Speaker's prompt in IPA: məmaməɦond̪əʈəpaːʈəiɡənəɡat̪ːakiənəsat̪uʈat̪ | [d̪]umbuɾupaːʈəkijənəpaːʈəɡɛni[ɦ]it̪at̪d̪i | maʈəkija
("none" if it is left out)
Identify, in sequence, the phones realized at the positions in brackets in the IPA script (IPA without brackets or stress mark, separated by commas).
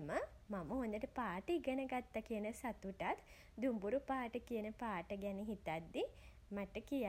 d̪, ɦ